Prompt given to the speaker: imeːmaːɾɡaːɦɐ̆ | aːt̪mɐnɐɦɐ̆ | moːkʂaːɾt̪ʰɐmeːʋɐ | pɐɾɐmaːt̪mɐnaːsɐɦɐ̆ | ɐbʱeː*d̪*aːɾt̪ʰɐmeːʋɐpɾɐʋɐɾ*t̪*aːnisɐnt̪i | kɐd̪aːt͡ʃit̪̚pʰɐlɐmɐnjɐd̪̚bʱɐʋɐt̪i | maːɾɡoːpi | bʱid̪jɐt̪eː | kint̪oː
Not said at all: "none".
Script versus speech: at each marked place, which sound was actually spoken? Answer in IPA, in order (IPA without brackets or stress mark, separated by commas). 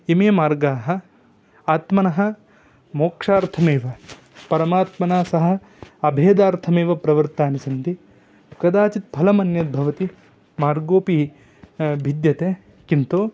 d̪, t̪